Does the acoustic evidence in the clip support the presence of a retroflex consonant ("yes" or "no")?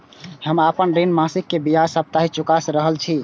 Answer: no